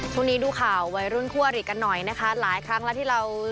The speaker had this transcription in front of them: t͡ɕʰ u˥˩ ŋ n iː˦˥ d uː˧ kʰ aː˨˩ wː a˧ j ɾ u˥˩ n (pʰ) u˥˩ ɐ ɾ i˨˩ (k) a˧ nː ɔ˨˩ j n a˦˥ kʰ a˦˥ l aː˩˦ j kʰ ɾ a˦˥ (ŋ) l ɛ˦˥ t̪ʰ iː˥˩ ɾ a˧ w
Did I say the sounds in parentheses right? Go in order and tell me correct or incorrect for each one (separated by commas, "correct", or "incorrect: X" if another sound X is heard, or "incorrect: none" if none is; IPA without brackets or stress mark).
incorrect: kʰ, correct, correct